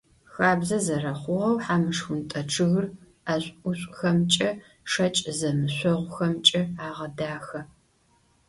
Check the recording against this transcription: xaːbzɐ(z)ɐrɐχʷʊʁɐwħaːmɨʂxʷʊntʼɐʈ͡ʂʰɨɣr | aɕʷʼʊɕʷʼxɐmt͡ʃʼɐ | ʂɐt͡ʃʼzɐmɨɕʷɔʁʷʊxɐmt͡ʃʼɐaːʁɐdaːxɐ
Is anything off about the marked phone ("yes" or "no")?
no